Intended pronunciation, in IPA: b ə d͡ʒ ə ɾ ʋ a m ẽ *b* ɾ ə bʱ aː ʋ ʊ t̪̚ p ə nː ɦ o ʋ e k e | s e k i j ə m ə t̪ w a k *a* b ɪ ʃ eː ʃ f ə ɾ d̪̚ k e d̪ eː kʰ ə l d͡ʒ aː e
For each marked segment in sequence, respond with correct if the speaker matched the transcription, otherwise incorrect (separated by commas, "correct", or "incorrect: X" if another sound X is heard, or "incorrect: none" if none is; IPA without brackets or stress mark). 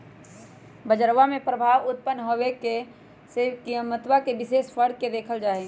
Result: incorrect: p, incorrect: e